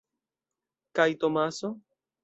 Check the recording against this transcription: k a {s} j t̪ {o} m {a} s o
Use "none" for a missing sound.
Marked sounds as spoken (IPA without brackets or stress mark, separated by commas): none, o, a